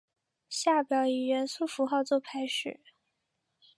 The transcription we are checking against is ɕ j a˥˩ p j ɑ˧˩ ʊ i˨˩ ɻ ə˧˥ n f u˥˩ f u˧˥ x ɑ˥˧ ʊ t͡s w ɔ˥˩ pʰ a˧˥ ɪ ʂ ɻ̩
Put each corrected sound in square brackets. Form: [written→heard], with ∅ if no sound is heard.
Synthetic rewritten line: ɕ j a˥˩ p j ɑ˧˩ ʊ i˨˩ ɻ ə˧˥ n [f→s] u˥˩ f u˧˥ x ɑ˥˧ ʊ t͡s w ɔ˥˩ pʰ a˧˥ ɪ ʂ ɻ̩